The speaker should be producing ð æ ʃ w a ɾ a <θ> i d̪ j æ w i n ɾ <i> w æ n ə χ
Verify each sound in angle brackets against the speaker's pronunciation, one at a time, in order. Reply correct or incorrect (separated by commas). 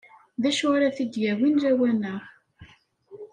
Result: correct, incorrect